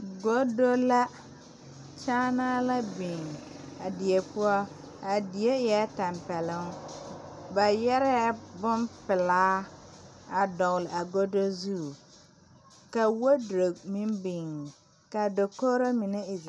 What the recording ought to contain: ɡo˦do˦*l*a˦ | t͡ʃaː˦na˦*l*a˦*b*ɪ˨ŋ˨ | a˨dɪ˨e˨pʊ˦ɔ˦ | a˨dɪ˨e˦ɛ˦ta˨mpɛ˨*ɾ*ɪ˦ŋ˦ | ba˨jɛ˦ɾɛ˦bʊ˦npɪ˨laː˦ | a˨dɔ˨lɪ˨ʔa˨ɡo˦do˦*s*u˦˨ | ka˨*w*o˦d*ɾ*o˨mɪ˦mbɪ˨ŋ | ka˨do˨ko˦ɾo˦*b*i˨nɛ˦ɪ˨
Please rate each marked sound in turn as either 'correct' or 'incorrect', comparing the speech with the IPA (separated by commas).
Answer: correct, correct, correct, incorrect, incorrect, correct, correct, incorrect